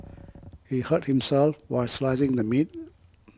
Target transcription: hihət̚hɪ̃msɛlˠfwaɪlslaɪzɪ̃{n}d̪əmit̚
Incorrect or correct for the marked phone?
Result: incorrect: ŋ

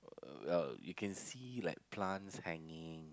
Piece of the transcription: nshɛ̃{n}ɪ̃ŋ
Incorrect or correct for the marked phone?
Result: incorrect: ŋ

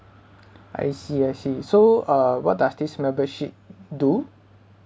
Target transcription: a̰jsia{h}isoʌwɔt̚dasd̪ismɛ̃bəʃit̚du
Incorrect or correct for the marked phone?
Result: incorrect: s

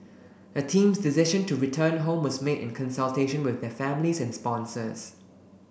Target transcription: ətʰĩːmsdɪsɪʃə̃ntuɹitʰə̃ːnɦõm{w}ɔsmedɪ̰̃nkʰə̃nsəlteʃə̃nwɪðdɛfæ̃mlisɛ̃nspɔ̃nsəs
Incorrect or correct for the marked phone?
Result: correct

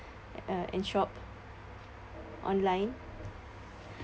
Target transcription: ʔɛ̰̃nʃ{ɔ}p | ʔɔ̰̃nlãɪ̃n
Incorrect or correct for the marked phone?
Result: correct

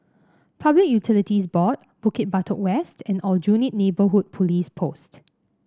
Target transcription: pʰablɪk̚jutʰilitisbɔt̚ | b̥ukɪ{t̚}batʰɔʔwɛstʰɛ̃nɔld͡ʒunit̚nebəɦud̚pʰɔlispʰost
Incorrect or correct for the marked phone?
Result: correct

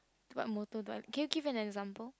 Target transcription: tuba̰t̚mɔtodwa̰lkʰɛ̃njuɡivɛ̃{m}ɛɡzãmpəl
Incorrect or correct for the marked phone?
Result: incorrect: n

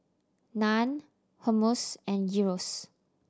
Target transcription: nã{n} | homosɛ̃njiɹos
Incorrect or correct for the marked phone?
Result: correct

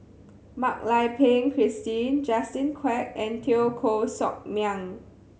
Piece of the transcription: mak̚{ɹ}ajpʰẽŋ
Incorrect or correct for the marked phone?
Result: incorrect: l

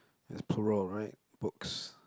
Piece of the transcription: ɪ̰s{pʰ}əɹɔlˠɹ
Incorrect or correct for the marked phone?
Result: correct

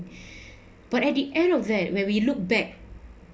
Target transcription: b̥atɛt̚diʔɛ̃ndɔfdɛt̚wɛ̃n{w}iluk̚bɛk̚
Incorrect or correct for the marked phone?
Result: correct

